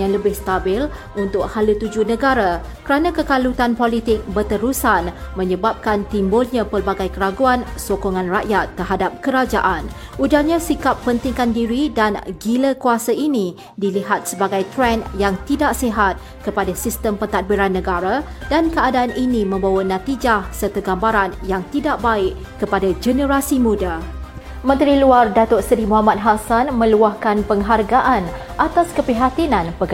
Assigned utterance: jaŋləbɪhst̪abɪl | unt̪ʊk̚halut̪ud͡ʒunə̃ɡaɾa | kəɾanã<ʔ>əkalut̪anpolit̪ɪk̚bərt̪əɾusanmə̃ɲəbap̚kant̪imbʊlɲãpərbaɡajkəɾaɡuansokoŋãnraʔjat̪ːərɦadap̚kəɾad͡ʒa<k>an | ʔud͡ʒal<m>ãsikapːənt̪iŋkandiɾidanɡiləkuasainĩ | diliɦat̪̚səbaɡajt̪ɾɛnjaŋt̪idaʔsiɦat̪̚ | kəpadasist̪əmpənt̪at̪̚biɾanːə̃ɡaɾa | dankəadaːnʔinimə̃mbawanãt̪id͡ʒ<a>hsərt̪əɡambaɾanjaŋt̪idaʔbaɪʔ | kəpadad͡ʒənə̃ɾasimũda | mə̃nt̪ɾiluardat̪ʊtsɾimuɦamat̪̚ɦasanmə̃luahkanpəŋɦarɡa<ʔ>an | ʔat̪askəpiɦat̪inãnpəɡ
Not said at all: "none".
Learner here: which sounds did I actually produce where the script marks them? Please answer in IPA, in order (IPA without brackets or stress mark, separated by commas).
k, ʔ, ɲ, a, ʔ